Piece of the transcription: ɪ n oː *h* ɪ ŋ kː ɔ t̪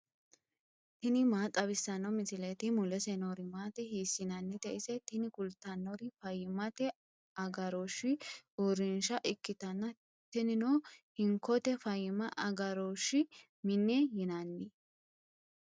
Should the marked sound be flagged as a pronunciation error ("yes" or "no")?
no